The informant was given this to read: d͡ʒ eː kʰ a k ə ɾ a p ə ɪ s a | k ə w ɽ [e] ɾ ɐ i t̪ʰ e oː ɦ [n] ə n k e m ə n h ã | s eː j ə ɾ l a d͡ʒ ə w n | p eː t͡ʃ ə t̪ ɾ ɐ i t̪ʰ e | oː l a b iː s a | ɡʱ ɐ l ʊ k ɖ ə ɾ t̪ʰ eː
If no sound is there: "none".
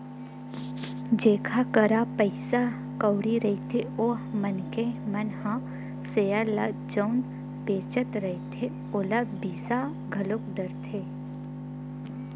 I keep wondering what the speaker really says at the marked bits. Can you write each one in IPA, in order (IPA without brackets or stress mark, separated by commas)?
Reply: i, m